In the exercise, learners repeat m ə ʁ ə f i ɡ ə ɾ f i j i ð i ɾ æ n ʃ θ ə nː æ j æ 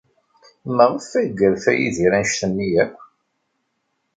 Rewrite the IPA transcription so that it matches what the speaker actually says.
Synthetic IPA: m ə ʁ ə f æ ɡ ə ɾ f æ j i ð i ɾ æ n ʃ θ ə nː i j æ